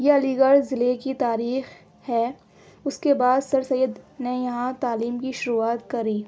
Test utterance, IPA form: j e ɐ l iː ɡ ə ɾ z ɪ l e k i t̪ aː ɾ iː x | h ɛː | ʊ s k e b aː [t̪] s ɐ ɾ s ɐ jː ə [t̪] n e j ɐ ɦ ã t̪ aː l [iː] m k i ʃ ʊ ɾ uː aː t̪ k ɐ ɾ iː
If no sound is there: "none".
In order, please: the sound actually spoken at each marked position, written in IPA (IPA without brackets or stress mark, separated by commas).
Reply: d̪, d̪, iː